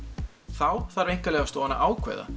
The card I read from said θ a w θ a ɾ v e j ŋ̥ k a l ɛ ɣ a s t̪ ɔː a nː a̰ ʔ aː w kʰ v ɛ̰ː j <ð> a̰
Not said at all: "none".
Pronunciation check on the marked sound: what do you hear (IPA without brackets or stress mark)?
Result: ð